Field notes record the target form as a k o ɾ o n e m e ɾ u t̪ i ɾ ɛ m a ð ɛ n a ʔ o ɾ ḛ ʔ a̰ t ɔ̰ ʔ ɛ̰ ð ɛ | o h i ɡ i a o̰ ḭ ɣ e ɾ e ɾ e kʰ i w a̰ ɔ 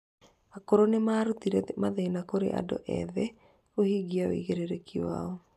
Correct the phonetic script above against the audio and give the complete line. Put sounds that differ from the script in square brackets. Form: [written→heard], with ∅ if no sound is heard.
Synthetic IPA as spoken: a k o ɾ o n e m [e→a] ɾ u t̪ i ɾ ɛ m a ð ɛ n a [ʔ→k] o ɾ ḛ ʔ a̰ [t→d] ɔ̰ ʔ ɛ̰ ð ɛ | o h i ɡ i a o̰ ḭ ɣ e ɾ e ɾ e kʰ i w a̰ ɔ